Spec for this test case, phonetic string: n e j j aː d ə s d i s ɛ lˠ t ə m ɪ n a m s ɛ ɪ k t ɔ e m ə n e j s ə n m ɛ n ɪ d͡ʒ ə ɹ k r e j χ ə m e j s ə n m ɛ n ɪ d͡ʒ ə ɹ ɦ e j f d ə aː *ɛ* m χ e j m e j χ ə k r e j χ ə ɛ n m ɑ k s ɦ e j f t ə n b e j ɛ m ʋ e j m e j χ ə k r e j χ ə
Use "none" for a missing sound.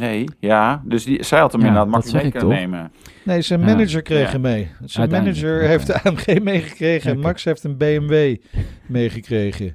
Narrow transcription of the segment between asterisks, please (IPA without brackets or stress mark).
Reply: ɛ